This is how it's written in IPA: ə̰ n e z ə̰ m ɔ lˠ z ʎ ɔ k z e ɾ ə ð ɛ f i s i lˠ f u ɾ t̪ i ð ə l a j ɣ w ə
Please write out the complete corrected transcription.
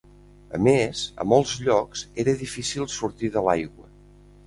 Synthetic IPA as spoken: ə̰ m e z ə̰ m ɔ lˠ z ʎ ɔ k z e ɾ ə ð i f i s i lˠ s u ɾ t̪ i ð ə l a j ɣ w ə

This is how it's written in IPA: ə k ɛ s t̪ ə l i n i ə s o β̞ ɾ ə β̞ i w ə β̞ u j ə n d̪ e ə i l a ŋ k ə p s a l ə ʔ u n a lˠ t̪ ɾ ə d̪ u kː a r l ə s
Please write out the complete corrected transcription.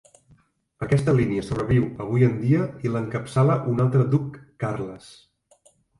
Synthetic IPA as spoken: ə k ɛ s t̪ ə l i n i ə s o β̞ ɾ ə β̞ i w ə β̞ u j ə n d̪ i ə i l ə ŋ k ə p s a l ə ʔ u n a lˠ t̪ ɾ ə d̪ u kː a r l ə s

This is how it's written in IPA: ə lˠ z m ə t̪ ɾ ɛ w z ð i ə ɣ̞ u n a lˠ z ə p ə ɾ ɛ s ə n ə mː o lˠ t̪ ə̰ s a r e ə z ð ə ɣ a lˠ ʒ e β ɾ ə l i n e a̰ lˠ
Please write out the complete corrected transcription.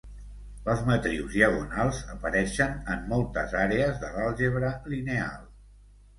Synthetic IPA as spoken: ə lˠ z m ə t̪ ɾ i w z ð i ə ɣ̞ u n a lˠ z ə p ə ɾ ɛ ʃ ə n ə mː ɔ lˠ t̪ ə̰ z a ɾ e ə z ð ə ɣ a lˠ ʒ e β ɾ ə l i n e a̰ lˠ

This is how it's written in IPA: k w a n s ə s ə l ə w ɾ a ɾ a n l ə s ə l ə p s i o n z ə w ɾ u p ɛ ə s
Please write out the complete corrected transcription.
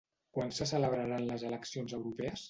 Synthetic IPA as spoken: k w a n s ə s ə l ə β ɾ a ɾ a n l ə z ə l ə k s i o n z ə w ɾ u p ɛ ə s

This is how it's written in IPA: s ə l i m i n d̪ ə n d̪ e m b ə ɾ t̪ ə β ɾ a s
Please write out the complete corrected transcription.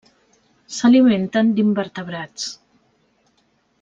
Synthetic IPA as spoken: s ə l i m e n t̪ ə n d̪ i m b ə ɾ t̪ ə β ɾ a t͡s

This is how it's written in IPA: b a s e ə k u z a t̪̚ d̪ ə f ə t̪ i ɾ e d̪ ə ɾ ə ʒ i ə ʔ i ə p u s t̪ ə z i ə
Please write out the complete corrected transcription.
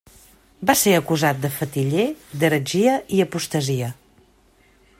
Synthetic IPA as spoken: b a s e ə k u z a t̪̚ d̪ ə f ə t̪ i ʎ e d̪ ə ɾ ə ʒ i ə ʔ i ə p u s t̪ ə z i ə

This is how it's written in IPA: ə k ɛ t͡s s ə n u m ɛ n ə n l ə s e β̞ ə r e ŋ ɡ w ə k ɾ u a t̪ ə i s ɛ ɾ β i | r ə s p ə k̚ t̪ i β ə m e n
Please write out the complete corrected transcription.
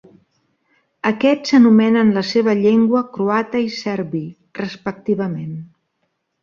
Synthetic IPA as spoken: ə k ɛ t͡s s ə n u m ɛ n ə n l ə s e β̞ ə ʎ e ŋ ɡ w ə k ɾ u a t̪ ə i s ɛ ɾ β i | r ə s p ə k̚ t̪ i β ə m e n

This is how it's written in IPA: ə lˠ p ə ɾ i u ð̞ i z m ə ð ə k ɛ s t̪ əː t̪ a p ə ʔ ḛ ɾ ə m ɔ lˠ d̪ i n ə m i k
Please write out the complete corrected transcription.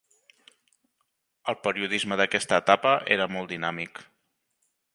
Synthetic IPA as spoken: ə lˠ p ə ɾ i u ð̞ i z m ə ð ə k ɛ s t̪ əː t̪ a p ə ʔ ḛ ɾ ə m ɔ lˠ d̪ i n a m i k

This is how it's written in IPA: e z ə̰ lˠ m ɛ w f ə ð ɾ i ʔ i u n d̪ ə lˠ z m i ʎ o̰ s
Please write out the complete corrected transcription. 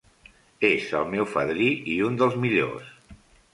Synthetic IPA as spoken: e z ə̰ lˠ m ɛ w f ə ð ɾ i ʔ i u n d̪ ə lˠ z m i ʎ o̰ s

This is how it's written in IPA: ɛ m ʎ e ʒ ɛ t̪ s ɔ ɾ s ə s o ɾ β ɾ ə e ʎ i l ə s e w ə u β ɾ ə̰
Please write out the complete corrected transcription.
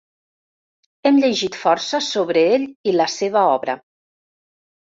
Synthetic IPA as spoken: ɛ m ʎ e ʒ i t̪ f ɔ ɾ s ə s o β ɾ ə e ʎ i l ə s e β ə ɔ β ɾ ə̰

